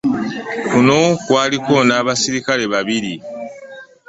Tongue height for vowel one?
high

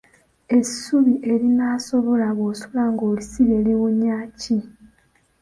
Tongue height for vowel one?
mid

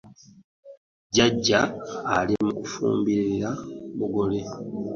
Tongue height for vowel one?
low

